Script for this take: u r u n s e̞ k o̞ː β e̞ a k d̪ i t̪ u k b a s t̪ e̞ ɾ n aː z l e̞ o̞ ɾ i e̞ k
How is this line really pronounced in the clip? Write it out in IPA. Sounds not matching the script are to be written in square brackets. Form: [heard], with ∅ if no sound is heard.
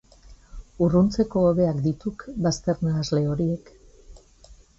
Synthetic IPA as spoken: u r u n [t͡s] e̞ k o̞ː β e̞ a k d̪ i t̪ u k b a s t̪ e̞ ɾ n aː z l e̞ o̞ ɾ i e̞ k